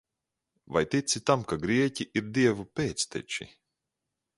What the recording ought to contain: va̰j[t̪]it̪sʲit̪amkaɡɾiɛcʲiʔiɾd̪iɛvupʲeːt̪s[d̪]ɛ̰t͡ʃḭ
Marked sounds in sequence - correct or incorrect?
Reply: correct, incorrect: t̪

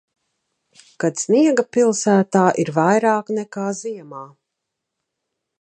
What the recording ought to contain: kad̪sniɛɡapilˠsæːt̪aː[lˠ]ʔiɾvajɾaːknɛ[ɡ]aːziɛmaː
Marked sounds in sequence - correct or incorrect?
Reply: incorrect: none, incorrect: k

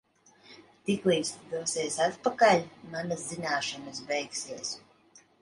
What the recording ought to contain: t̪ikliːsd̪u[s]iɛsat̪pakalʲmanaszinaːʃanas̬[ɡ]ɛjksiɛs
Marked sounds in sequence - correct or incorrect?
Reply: correct, incorrect: b

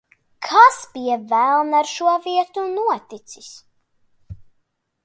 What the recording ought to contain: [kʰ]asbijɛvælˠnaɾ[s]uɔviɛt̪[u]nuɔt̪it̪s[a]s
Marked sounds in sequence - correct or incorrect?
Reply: correct, incorrect: ʃ, correct, incorrect: i

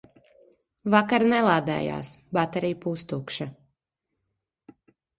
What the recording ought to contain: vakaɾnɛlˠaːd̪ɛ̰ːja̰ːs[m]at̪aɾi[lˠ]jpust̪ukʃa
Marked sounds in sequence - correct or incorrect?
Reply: incorrect: b, incorrect: none

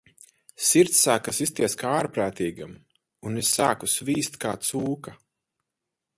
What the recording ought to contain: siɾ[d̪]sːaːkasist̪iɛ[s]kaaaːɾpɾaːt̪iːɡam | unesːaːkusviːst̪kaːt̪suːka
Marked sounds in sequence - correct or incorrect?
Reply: incorrect: t̪, correct

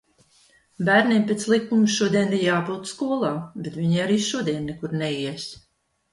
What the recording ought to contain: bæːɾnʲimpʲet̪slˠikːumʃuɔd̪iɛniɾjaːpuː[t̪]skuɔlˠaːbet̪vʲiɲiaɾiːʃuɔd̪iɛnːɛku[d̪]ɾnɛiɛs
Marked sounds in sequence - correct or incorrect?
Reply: correct, incorrect: none

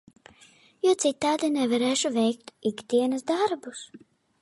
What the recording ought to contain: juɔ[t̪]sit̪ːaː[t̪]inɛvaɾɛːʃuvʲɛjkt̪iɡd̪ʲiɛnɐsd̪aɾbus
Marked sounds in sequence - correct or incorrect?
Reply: correct, incorrect: d̪

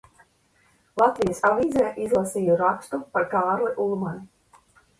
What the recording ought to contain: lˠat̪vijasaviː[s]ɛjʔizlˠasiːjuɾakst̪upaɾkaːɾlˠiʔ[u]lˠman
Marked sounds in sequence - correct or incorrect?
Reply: incorrect: z, correct

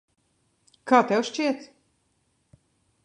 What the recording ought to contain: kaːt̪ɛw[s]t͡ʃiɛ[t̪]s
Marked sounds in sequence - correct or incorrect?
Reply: incorrect: ʃ, correct

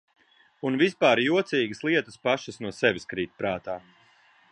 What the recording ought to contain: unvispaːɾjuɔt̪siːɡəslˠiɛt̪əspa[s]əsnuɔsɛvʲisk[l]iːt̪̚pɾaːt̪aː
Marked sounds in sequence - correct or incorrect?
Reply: incorrect: ʃ, incorrect: ɾ

